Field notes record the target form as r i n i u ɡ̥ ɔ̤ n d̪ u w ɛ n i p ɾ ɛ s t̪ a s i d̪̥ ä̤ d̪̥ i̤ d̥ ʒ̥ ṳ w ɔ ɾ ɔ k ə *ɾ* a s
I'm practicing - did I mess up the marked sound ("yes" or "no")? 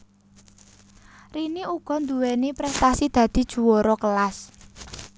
yes